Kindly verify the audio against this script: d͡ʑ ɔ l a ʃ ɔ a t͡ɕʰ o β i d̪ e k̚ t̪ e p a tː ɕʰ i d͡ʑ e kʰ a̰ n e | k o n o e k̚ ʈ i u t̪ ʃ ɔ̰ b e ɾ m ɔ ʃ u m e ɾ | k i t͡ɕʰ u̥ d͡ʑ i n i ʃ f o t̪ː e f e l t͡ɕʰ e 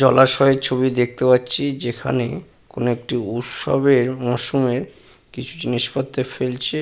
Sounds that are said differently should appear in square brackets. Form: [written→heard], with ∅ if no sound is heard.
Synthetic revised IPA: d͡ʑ ɔ l a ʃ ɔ [a→e] t͡ɕʰ o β i d̪ e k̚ t̪ e p a tː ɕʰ i d͡ʑ e kʰ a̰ n e | k o n o e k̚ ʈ i u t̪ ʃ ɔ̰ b e ɾ m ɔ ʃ u m e ɾ | k i t͡ɕʰ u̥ d͡ʑ i n i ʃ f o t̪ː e f e l t͡ɕʰ e